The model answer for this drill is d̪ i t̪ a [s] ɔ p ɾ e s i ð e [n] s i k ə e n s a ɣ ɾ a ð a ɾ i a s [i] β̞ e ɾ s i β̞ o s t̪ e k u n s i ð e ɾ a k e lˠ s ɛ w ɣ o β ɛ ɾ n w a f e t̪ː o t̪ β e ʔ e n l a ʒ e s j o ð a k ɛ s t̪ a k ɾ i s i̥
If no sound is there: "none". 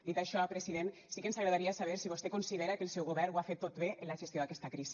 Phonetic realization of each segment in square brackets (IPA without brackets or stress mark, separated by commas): ʃ, n, a